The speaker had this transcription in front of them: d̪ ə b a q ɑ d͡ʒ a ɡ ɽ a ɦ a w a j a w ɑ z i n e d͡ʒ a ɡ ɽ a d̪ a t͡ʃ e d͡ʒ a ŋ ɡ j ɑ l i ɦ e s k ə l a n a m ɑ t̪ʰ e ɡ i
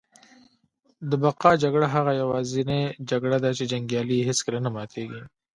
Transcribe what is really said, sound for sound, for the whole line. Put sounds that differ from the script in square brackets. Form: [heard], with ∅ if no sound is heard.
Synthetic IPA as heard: d̪ ə b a q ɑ d͡ʒ a ɡ ɽ a ɦ a [ɣ] a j a w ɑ z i n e d͡ʒ a ɡ ɽ a d̪ a t͡ʃ e d͡ʒ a ŋ ɡ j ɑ l i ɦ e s k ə l a n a m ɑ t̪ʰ e ɡ i